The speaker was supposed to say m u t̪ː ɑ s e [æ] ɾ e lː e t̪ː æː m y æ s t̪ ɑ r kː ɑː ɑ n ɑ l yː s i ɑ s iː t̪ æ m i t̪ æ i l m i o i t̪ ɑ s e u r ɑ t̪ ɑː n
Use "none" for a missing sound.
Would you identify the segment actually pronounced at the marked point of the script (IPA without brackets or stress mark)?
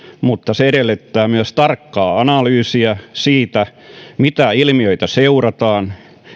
e